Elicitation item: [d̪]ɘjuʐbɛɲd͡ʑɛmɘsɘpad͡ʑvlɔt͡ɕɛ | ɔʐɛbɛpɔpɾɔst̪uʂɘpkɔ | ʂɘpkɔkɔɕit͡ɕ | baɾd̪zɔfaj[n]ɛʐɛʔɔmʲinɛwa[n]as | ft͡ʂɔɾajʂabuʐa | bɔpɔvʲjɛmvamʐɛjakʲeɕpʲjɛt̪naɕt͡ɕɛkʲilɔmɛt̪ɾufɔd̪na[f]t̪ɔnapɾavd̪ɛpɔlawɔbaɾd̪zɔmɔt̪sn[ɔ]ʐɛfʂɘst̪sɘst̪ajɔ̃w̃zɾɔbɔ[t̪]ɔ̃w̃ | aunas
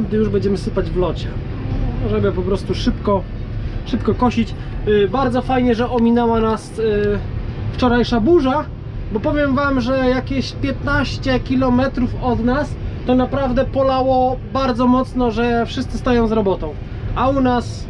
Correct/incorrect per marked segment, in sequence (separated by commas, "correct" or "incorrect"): correct, incorrect, correct, incorrect, correct, correct